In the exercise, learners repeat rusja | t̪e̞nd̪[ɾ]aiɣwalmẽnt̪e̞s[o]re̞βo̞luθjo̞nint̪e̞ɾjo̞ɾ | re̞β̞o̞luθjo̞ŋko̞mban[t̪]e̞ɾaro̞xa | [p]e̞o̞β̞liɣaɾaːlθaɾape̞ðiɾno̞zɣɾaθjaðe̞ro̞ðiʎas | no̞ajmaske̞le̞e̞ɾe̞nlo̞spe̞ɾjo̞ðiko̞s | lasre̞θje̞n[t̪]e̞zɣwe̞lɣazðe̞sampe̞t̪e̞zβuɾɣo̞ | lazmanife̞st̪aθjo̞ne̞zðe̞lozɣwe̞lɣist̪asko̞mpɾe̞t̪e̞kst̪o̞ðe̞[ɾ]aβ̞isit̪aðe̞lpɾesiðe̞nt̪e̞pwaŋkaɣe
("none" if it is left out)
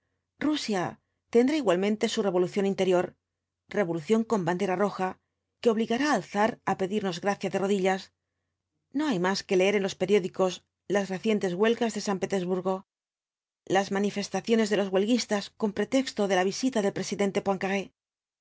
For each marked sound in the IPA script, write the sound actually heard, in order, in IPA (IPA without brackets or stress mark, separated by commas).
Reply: ɾ, u, d̪, k, t̪, l